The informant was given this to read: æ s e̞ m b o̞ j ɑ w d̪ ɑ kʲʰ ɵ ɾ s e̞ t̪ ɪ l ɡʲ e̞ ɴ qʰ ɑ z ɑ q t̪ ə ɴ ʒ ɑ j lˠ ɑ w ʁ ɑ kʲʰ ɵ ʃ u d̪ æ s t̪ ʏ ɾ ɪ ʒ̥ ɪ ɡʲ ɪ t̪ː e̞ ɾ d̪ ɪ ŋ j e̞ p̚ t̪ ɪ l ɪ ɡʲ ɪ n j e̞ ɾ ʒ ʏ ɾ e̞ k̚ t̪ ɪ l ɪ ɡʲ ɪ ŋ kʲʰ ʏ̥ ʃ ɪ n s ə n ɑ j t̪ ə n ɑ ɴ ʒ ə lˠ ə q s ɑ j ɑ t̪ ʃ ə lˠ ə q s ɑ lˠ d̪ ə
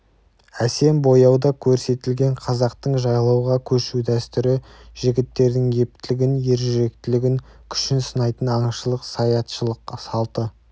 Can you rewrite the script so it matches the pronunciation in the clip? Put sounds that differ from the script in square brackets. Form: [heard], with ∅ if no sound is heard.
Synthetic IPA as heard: æ s e̞ m b o̞ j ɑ w d̪ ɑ kʲʰ ɵ ɾ s e̞ t̪ ɪ l ɡʲ e̞ ɴ qʰ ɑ z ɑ q t̪ ə ɴ ʒ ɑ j lˠ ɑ w ʁ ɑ kʲʰ ɵ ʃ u d̪ æ s t̪ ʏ ɾ ɪ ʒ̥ ɪ ɡʲ ɪ t̪ː e̞ ɾ d̪ ɪ ŋ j e̞ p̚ t̪ ɪ l ɪ ɡʲ ɪ n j e̞ ɾ ʒ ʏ ɾ e̞ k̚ t̪ ɪ l ɪ ɡʲ ɪ ŋ kʲʰ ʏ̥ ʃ ɪ n s ə n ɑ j t̪ ə n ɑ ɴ [ʃ] ə lˠ ə q s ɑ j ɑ t̪ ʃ ə lˠ ə q s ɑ lˠ [t̪] ə